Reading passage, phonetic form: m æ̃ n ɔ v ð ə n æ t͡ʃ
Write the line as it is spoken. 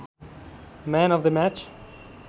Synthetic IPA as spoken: m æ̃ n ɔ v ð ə m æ t͡ʃ